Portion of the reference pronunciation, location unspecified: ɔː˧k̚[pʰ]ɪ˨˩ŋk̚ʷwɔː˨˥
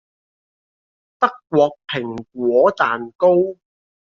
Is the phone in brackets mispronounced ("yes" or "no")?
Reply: no